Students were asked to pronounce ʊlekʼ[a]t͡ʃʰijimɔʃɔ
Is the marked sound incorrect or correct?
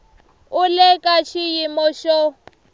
correct